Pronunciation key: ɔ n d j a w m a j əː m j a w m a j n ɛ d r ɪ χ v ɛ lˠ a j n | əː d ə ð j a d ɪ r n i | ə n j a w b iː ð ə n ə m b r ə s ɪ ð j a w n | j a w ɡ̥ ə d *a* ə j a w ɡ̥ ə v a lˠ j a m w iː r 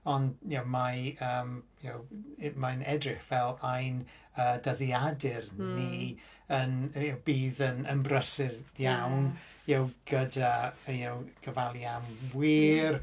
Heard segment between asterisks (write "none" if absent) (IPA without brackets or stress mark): a